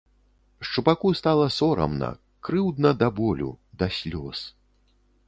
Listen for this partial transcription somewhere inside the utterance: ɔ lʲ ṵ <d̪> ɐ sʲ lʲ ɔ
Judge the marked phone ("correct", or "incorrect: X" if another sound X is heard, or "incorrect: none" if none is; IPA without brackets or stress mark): correct